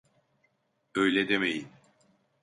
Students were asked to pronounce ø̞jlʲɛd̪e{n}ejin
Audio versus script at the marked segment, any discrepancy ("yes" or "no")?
yes